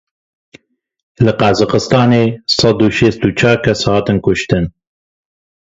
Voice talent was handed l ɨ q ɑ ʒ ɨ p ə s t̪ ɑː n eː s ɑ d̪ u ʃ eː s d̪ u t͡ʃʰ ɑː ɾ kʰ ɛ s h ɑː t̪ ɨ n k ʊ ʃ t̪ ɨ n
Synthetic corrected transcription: l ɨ q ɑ z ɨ q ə s t̪ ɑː n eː s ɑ d̪ u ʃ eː s t̪ u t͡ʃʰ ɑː ɾ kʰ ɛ s h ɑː t̪ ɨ n k ʊ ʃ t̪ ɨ n